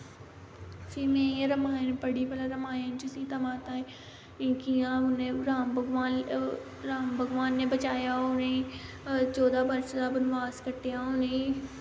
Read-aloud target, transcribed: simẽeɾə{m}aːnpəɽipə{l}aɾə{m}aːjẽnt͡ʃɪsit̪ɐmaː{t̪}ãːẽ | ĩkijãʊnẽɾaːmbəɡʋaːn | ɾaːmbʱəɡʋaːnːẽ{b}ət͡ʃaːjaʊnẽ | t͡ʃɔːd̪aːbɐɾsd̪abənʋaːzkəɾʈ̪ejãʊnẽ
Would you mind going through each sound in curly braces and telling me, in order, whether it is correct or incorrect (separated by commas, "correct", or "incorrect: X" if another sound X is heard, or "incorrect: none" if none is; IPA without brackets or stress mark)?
correct, correct, correct, correct, correct